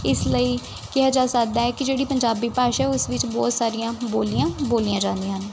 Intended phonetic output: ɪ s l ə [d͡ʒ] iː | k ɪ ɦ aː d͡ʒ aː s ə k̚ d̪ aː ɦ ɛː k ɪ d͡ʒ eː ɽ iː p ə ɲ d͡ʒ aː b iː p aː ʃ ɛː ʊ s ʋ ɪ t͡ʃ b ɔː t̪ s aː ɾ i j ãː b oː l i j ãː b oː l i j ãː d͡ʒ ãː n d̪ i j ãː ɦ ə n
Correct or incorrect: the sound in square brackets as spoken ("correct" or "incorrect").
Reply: incorrect